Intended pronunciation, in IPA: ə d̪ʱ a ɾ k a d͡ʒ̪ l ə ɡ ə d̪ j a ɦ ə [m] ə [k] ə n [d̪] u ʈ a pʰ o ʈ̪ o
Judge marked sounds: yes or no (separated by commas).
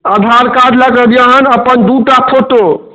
no, no, yes